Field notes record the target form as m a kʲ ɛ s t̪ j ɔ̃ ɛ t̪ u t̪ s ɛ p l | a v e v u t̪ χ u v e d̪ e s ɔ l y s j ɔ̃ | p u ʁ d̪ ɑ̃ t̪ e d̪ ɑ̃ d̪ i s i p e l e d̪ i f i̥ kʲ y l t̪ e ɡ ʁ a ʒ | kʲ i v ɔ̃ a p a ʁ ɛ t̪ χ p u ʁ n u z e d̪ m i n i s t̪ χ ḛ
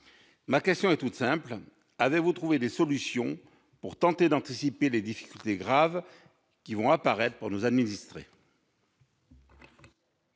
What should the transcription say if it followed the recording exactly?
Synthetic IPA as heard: m a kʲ ɛ s t̪ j ɔ̃ ɛ t̪ u t̪ s ɛ̃ p l | a v e v u t̪ χ u v e d̪ e s ɔ l y s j ɔ̃ | p u ʁ t̪ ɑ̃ t̪ e d̪ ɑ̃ t̪ i s i p e l e d̪ i f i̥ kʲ y l t̪ e ɡ ʁ a v | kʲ i v ɔ̃ a p a ʁ ɛ t̪ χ p u ʁ n u z a d̪ m i n i s t̪ χ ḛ